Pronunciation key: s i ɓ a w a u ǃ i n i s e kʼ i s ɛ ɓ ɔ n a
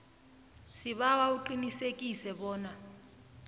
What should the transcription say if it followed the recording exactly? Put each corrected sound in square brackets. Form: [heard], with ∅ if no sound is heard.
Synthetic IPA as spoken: s i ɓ a w a u ǃ i n i s e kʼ i s ɛ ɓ [ɔː] n a